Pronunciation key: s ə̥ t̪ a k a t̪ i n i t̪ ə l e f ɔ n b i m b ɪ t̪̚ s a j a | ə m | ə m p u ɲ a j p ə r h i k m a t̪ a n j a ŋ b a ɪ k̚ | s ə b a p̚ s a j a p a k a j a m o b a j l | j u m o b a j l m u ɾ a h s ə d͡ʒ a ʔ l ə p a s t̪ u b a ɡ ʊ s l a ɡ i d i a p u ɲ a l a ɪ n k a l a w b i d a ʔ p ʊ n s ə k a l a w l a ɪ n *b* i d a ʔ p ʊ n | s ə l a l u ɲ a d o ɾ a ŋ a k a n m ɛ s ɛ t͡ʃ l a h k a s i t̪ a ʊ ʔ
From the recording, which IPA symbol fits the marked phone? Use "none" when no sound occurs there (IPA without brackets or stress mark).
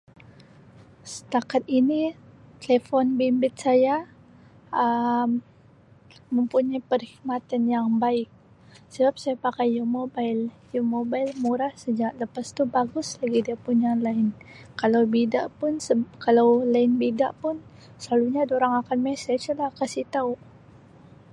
b